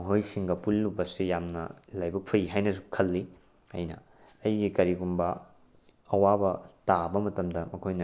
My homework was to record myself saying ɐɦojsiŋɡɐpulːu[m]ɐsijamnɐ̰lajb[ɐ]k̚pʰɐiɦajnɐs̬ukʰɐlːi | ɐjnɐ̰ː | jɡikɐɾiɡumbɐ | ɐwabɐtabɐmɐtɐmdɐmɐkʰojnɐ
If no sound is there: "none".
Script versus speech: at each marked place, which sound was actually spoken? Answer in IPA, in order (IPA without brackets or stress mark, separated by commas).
b, ɐ